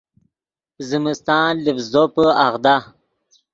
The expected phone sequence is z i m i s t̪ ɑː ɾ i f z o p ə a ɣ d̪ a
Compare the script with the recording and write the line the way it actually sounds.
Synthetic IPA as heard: z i m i s t̪ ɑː l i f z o p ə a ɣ d̪ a